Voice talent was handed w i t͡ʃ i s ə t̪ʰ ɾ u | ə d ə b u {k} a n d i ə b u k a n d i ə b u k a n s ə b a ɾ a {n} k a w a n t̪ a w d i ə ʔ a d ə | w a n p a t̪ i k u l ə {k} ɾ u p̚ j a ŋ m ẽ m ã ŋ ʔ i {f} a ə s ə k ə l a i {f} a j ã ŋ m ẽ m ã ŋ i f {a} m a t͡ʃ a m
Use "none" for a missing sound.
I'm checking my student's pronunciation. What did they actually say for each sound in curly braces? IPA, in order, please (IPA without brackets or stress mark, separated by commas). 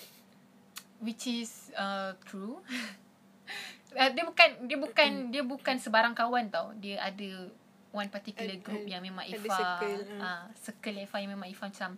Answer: k, ŋ, ɡ, f, f, a